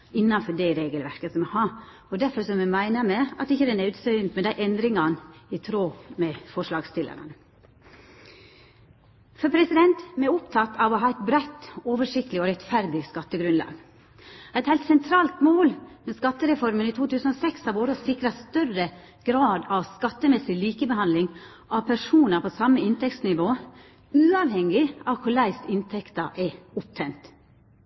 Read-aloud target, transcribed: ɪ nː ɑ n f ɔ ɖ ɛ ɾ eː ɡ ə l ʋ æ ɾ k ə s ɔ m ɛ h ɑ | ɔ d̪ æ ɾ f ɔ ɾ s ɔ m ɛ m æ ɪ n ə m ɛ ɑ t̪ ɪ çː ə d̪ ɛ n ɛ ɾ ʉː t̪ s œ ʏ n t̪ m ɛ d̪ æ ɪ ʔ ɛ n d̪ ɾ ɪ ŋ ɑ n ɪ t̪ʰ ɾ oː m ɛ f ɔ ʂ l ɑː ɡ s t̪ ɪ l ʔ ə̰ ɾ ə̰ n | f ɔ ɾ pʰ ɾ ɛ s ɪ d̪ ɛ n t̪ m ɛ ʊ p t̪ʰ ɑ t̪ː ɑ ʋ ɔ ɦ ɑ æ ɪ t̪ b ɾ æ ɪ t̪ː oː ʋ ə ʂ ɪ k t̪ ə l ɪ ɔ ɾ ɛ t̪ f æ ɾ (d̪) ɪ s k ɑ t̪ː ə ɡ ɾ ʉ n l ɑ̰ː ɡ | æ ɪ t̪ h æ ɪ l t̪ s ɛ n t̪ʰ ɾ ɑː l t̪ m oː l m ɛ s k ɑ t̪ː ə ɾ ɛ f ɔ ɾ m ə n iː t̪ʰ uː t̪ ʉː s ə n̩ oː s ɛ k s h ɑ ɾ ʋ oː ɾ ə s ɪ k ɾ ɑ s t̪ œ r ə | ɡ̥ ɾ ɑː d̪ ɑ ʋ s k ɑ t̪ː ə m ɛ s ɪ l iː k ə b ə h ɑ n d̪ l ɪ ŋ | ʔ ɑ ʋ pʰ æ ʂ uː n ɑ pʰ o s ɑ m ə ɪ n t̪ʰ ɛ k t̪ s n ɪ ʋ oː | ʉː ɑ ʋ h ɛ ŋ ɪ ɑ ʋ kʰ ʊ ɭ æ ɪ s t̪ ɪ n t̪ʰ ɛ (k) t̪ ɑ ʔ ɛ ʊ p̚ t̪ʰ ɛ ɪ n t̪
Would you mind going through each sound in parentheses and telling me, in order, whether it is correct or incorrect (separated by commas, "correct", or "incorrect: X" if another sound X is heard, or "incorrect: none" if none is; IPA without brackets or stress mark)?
correct, correct